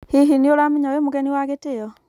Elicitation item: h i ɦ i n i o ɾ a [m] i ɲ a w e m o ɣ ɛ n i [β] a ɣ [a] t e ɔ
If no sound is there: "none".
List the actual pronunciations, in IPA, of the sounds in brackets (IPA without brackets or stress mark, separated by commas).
m, w, e